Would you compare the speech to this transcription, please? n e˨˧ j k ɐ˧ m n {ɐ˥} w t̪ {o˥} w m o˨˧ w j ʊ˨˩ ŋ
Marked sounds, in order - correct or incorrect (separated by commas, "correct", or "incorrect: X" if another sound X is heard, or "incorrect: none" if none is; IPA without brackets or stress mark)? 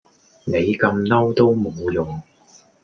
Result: correct, correct